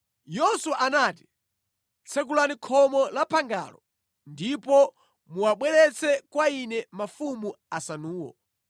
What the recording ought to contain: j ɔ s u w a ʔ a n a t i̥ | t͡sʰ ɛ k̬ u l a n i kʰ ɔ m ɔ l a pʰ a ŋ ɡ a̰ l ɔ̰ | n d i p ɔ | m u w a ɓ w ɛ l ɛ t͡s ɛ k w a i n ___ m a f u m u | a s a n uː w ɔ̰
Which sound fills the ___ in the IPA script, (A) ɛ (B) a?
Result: A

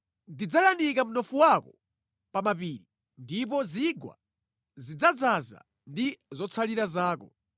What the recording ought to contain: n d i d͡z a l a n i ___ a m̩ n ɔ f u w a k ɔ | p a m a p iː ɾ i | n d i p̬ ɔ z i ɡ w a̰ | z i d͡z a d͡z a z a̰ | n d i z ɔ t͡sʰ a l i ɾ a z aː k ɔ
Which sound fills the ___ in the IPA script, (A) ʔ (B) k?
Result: B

